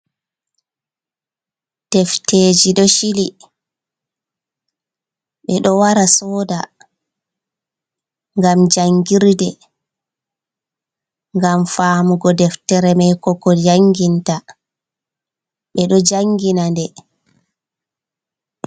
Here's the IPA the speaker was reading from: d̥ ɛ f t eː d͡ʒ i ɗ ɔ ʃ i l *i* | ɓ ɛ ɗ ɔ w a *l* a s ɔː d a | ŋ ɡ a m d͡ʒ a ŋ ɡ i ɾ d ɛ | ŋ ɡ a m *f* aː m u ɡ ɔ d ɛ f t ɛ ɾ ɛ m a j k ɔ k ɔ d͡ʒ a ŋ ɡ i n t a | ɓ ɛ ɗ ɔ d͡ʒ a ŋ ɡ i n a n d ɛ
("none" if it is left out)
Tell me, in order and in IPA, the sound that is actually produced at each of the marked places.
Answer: i, ɾ, f

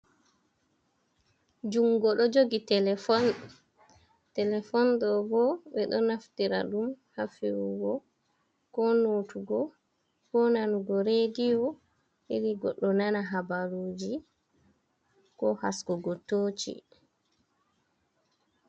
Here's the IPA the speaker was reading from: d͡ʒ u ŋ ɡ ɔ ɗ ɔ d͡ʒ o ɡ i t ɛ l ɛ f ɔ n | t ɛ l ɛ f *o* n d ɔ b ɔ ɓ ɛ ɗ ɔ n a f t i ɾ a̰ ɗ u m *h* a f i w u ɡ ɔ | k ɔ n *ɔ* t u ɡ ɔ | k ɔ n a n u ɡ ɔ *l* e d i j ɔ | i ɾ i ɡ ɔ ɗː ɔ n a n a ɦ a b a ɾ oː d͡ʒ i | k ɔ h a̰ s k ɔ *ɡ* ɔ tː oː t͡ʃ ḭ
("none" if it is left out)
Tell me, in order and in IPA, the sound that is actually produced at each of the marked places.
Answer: ɔ, h, o, ɾ, ɡ

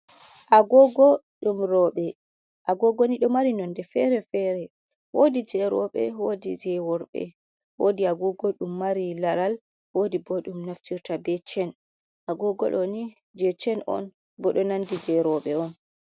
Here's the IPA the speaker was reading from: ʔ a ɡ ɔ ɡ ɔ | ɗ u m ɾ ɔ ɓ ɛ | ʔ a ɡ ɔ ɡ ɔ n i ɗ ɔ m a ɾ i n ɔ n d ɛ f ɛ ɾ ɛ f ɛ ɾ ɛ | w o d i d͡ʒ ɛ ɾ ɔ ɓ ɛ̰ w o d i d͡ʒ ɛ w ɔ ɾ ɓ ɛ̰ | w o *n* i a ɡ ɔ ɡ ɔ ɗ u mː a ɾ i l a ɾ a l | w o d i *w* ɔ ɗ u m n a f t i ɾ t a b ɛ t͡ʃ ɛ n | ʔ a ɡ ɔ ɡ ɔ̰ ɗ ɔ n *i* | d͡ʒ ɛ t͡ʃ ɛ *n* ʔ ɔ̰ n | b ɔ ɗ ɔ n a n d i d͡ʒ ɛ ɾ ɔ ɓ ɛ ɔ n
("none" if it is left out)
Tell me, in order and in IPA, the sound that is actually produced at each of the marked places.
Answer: d, b, i, n

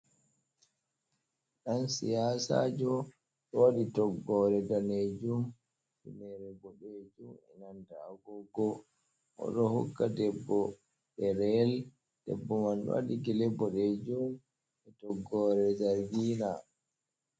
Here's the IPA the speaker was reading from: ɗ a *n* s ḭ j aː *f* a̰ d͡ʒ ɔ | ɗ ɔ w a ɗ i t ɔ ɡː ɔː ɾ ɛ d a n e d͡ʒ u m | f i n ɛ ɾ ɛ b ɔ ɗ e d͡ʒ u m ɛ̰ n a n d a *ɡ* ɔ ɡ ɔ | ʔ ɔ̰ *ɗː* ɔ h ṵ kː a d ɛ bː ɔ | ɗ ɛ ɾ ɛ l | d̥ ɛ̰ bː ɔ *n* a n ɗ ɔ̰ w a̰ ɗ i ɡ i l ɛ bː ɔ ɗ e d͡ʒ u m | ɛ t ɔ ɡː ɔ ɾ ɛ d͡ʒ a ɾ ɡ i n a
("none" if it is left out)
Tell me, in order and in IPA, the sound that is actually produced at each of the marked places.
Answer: n, s, ɡ, ɗ, m

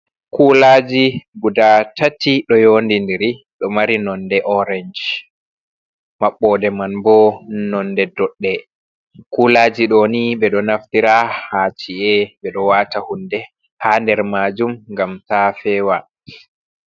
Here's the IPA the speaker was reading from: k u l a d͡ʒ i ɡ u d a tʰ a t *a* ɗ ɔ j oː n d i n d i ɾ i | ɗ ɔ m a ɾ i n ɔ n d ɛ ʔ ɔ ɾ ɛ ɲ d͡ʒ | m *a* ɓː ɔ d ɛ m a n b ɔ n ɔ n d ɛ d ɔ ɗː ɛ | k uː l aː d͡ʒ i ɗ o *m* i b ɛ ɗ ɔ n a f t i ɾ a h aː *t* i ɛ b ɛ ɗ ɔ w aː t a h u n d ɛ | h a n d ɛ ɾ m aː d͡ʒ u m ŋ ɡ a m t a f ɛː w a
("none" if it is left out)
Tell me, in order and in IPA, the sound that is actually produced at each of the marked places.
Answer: i, a, n, t͡ʃ

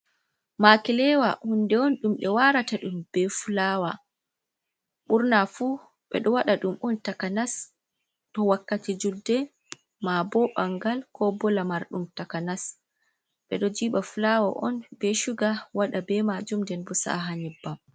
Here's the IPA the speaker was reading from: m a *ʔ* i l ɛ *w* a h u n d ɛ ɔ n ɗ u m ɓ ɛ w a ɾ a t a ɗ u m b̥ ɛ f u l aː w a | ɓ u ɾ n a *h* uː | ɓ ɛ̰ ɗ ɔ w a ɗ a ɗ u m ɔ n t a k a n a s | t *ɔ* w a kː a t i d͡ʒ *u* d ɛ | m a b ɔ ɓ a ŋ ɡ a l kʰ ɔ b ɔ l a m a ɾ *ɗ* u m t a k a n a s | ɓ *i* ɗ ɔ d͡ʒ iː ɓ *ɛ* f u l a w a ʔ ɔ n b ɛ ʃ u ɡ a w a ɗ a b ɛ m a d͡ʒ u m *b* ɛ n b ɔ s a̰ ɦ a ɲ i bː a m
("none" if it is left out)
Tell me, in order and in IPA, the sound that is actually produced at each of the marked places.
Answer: k, w, f, ɔ, u, ɗ, ɛ, a, d

